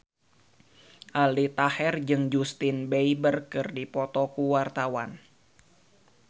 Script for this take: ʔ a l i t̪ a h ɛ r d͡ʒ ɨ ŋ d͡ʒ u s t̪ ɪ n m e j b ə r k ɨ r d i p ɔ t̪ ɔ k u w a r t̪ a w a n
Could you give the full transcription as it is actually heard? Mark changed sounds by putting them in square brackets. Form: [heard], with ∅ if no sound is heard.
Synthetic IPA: ʔ a l i t̪ a h ɛ r d͡ʒ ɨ ŋ d͡ʒ u s t̪ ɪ n [b] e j b ə r k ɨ r d i p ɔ t̪ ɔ k u w a r t̪ a w a n